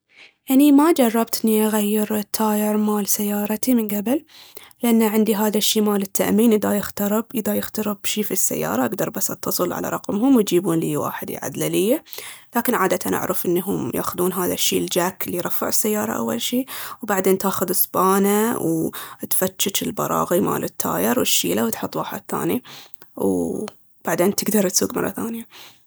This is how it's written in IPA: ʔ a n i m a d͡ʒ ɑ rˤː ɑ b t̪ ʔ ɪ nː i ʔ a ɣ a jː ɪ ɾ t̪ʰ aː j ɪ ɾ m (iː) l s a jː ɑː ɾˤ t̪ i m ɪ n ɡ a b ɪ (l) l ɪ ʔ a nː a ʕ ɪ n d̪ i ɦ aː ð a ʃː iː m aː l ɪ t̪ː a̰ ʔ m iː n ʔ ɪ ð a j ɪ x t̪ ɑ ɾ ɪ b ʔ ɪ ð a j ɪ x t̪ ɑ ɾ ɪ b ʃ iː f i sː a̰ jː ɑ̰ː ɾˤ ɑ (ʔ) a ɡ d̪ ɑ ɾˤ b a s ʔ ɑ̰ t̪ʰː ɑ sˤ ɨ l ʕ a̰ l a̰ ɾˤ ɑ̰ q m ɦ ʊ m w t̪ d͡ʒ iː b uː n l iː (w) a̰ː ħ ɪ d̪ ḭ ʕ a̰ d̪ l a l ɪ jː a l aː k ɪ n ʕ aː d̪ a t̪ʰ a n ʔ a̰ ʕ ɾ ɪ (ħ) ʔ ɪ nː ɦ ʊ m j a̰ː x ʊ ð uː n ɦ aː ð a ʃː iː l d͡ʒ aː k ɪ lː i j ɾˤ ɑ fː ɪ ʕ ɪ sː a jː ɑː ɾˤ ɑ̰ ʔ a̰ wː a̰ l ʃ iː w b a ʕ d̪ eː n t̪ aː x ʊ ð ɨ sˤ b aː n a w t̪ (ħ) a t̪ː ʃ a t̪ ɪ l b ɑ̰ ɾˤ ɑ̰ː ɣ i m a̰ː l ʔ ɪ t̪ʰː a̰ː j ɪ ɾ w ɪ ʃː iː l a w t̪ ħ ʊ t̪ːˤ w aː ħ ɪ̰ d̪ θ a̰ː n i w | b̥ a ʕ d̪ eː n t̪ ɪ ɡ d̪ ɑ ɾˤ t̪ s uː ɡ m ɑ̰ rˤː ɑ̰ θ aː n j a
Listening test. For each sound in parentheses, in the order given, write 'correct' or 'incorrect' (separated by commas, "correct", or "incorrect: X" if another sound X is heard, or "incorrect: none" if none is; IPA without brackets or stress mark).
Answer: incorrect: aː, correct, correct, correct, incorrect: f, incorrect: f